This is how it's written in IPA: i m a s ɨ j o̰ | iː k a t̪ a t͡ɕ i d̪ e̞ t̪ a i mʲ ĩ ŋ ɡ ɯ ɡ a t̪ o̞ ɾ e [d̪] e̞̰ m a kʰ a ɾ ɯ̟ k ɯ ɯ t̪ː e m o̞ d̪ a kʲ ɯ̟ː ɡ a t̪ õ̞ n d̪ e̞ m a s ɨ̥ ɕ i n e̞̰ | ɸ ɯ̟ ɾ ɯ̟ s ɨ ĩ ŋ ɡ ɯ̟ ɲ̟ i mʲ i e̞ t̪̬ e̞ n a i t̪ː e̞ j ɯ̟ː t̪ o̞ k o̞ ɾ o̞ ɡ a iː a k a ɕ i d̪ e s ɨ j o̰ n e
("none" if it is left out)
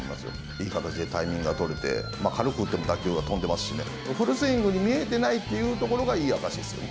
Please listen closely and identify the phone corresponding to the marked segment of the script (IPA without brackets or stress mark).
t̪